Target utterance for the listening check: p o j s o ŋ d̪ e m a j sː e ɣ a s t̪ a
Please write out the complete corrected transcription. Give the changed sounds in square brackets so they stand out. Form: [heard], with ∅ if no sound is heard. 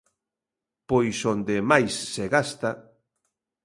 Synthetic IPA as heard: p o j s o [n] d̪ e m a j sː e ɣ a s t̪ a